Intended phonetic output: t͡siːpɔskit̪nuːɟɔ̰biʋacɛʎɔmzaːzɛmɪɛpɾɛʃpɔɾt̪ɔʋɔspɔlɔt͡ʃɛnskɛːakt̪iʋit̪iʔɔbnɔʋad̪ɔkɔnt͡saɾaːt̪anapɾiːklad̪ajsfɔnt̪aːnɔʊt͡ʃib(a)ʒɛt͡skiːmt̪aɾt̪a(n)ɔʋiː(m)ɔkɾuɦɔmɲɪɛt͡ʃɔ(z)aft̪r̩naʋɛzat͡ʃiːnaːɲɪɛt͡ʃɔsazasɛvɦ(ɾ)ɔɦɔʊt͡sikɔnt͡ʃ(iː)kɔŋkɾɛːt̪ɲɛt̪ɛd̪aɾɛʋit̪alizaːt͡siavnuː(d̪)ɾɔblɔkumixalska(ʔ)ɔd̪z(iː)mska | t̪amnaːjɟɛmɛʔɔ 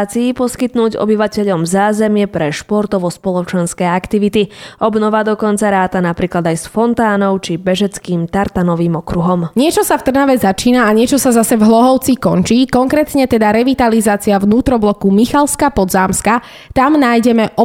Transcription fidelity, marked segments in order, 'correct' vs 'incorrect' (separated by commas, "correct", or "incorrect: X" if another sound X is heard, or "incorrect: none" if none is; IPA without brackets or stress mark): incorrect: ɛ, correct, correct, incorrect: s, incorrect: l, correct, incorrect: t̪, incorrect: p, incorrect: aː